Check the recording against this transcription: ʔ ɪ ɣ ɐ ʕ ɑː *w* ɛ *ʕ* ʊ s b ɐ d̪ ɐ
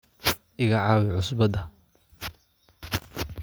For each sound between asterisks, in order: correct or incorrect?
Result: correct, correct

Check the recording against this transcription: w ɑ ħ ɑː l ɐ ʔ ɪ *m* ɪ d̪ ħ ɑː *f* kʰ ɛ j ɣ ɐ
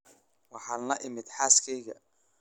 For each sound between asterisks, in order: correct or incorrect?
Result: correct, incorrect

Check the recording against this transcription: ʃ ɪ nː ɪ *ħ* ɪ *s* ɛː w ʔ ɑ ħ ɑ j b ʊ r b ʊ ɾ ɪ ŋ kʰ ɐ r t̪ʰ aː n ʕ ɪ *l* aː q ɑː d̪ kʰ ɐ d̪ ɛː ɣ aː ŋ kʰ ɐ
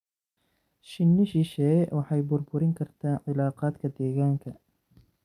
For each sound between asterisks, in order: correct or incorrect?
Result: incorrect, incorrect, correct

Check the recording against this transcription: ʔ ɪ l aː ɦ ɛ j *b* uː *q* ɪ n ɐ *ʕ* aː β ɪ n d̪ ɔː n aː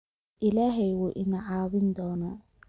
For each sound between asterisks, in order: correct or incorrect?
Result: incorrect, incorrect, correct

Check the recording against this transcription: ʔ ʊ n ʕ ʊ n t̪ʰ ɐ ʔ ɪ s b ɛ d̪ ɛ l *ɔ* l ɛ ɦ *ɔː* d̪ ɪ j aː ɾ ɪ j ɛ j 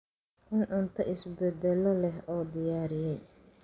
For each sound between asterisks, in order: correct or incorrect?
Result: correct, correct

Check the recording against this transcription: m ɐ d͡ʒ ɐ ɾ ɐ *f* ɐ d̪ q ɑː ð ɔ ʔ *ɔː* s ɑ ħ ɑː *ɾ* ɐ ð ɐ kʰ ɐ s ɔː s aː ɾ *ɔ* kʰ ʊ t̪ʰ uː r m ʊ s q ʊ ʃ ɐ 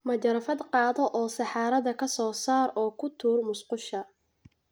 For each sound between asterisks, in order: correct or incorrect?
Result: correct, correct, correct, incorrect

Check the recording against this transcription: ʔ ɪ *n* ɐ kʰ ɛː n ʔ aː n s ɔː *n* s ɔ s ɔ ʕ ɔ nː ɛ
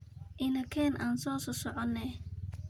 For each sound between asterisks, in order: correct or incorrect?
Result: correct, incorrect

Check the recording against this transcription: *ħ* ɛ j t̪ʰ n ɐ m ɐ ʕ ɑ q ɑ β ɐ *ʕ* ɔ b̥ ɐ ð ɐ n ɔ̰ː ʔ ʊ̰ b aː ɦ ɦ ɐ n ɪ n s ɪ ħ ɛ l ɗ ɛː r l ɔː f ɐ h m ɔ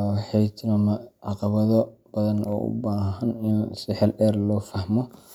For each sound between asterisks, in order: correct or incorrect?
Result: correct, incorrect

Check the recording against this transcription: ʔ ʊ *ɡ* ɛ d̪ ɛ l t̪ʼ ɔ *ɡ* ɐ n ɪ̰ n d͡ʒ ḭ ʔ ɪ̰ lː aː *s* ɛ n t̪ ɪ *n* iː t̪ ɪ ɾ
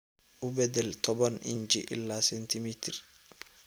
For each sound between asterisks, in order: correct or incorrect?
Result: incorrect, incorrect, correct, incorrect

